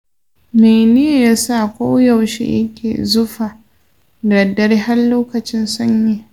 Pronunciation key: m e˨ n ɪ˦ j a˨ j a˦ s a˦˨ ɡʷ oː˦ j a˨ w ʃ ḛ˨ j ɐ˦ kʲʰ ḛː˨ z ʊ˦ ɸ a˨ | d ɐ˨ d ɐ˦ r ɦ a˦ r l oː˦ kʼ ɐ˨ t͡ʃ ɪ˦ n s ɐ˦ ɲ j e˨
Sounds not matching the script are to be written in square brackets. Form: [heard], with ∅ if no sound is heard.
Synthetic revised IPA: m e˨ n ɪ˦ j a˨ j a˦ s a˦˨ [kʷ] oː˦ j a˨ w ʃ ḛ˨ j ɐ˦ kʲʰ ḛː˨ z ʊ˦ ɸ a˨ | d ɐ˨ d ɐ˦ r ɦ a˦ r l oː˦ [k] ɐ˨ t͡ʃ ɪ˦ n s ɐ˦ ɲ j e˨